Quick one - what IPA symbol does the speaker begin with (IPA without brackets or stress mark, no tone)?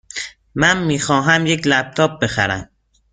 m